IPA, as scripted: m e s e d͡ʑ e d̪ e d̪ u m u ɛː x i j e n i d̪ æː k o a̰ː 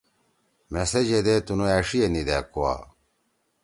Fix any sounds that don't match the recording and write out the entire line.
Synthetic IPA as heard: m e s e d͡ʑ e d̪ e t̪ u n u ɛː ʂ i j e n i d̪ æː k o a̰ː

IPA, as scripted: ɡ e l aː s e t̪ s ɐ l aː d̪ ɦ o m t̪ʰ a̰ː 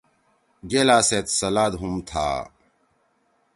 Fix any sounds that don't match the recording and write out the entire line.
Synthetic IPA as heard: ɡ e l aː s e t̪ s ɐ l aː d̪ ɦ u m t̪ʰ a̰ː

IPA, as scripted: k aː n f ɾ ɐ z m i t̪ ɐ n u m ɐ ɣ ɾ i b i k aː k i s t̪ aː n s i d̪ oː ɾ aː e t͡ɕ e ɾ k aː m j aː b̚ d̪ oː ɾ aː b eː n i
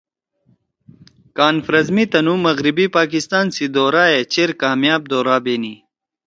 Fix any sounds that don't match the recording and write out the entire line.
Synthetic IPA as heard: k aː n f ɾ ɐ z m i t̪ ɐ n u m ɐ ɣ ɾ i b i p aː k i s t̪ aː n s i d̪ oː ɾ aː e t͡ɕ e ɾ k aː m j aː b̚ d̪ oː ɾ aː b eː n i

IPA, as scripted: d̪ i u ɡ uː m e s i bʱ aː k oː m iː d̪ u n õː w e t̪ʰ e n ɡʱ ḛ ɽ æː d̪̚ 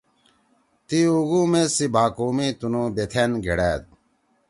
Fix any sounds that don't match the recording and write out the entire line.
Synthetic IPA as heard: t̪ i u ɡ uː m e s i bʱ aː k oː m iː t̪ u n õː b e t̪ʰ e n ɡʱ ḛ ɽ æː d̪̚

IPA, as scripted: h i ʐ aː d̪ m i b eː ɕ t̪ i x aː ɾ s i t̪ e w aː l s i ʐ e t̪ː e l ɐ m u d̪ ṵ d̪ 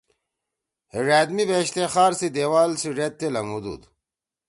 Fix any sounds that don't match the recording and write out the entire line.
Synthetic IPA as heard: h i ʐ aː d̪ m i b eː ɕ t̪ e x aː ɾ s i d̪ e w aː l s i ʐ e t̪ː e l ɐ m u d̪ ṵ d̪

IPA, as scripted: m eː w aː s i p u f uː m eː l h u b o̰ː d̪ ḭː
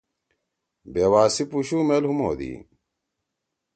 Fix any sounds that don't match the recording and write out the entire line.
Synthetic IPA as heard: b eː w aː s i p u ɕ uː m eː l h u m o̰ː d̪ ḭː

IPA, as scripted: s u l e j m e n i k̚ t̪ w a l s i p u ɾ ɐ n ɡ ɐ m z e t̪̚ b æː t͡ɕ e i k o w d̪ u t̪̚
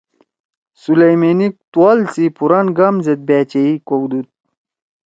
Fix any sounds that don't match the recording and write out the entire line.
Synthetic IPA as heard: s u l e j m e n i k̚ t̪ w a l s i p u ɾ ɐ n ɡ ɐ m z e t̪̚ b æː t͡ɕ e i k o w d̪ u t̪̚

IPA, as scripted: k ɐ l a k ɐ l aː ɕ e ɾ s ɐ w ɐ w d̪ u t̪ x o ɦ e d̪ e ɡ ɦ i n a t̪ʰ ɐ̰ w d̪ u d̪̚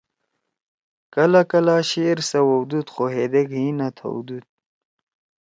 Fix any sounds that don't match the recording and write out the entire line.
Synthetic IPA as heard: k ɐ l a k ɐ l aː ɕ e ɾ s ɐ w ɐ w d̪ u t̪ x o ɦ e d̪ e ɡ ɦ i n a t̪ʰ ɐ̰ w d̪ u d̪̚

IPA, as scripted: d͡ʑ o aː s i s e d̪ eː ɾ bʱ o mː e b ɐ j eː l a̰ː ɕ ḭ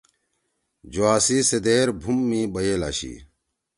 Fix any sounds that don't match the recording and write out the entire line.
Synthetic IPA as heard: d͡ʑ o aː s i s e d̪ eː ɾ bʱ u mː i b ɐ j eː l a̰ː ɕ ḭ

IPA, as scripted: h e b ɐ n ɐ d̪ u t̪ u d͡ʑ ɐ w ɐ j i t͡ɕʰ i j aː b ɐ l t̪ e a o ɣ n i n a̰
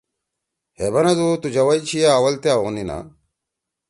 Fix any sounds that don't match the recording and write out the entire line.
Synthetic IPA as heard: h e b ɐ n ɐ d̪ u t̪ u d͡ʑ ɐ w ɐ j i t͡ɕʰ i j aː w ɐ l t̪ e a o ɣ n i n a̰

